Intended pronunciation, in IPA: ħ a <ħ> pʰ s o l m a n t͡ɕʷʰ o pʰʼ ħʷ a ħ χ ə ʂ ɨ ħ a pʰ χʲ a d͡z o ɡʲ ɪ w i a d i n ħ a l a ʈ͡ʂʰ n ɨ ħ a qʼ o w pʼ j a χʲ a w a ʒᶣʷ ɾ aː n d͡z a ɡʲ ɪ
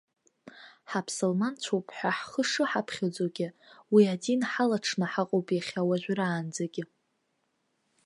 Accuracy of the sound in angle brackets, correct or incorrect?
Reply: incorrect